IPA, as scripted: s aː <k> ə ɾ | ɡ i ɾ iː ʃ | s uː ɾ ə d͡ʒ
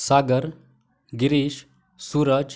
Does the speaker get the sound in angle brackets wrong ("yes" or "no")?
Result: yes